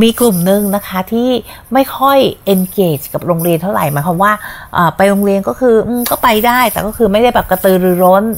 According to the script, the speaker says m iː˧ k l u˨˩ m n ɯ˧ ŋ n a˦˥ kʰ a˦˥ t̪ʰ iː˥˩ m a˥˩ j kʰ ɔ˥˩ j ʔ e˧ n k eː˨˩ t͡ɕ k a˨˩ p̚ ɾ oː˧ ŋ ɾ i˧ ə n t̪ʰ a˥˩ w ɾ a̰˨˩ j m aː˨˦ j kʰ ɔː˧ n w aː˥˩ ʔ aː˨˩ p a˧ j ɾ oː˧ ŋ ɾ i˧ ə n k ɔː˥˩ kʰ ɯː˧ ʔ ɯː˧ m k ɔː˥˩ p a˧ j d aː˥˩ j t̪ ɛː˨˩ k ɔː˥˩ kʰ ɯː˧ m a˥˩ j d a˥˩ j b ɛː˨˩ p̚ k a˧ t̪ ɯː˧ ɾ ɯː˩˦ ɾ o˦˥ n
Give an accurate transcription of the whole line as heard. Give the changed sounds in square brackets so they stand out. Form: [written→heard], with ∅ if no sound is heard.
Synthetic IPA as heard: m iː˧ k l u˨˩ m n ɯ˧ ŋ n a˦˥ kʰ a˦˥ t̪ʰ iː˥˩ m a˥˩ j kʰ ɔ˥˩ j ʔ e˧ n k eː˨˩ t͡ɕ k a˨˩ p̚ ɾ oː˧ ŋ ɾ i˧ ə n t̪ʰ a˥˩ w ɾ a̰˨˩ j m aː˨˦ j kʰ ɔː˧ [n→m] w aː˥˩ ʔ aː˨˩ p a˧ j ɾ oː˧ ŋ ɾ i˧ ə n k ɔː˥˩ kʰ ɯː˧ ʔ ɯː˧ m k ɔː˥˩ p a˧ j d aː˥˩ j t̪ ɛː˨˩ k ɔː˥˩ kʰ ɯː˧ m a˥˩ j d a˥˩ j b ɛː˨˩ p̚ k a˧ t̪ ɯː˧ ɾ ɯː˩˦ ɾ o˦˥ n